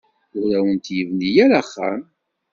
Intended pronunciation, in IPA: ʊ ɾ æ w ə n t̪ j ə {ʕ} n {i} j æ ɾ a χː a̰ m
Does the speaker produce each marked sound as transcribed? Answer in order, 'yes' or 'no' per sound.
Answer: no, yes

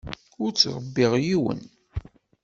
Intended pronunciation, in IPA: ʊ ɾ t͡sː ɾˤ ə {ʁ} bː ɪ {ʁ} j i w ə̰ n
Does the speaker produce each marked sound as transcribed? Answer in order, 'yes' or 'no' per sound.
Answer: no, yes

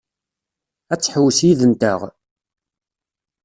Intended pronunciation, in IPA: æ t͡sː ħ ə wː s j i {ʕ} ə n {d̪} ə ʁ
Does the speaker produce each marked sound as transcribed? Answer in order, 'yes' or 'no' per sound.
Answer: no, no

